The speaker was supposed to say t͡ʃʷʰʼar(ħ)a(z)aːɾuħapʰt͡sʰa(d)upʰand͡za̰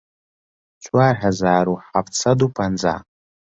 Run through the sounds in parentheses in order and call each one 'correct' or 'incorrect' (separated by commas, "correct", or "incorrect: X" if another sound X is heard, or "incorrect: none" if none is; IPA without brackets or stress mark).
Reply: correct, correct, correct